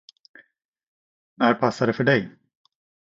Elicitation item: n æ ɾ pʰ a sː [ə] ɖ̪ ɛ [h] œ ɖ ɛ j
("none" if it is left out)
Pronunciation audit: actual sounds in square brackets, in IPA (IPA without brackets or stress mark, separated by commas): a, f